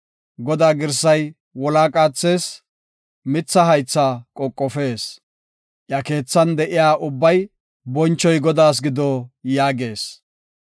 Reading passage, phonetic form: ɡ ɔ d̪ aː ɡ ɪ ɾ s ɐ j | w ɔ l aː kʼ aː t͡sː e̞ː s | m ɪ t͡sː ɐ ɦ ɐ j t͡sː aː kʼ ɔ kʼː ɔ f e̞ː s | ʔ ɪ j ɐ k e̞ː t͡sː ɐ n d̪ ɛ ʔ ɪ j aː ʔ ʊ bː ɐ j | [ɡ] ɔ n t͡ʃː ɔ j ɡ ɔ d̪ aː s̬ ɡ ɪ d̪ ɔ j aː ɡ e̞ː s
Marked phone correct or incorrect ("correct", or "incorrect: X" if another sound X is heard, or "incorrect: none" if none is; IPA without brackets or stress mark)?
incorrect: b